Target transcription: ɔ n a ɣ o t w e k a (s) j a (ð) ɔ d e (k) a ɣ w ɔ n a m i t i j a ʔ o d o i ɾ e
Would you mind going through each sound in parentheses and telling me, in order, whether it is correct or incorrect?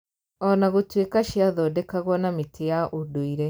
incorrect, correct, correct

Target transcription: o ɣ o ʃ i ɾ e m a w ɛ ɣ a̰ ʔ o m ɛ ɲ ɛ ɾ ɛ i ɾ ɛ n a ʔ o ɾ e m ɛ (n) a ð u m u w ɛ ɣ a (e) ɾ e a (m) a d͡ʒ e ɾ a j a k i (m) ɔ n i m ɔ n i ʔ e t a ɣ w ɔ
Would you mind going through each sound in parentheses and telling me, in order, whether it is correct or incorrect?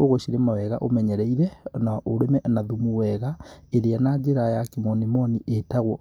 correct, correct, incorrect, correct

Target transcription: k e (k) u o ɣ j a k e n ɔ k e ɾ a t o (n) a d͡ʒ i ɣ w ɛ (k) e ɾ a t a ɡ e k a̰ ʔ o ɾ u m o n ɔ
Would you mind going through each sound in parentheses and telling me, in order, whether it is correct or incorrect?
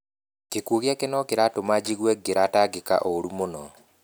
correct, incorrect, incorrect

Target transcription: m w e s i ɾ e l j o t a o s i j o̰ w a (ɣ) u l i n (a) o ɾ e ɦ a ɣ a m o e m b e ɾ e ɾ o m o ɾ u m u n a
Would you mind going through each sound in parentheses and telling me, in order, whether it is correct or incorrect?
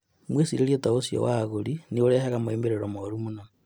correct, incorrect

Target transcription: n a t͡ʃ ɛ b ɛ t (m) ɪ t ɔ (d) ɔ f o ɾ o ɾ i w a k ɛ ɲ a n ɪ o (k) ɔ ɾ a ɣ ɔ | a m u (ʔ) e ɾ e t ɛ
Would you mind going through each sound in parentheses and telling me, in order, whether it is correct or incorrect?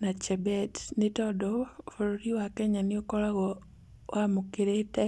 incorrect, correct, correct, incorrect

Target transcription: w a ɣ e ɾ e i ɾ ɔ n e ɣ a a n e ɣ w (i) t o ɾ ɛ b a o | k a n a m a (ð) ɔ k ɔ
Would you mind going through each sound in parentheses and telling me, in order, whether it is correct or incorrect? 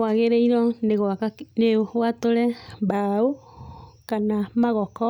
incorrect, incorrect

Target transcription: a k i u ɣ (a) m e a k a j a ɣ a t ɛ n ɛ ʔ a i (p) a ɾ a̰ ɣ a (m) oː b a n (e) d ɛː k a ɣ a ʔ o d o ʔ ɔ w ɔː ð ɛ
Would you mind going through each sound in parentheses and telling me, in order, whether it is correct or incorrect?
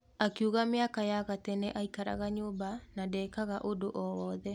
correct, incorrect, incorrect, incorrect

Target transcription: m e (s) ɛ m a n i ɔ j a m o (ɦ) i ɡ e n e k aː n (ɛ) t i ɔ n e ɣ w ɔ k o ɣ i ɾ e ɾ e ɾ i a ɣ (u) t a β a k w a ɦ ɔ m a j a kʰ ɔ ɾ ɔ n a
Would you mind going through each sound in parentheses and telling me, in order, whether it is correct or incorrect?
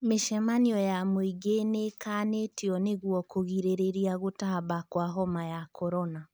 incorrect, incorrect, incorrect, incorrect

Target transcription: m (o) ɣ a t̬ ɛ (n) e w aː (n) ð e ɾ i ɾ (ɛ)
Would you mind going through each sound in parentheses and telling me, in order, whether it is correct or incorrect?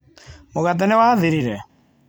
correct, correct, incorrect, correct

